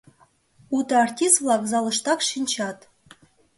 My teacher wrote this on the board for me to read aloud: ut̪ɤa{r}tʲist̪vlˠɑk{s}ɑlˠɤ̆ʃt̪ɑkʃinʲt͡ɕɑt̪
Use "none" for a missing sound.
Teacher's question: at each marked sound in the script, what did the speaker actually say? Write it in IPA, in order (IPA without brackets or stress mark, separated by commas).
r, z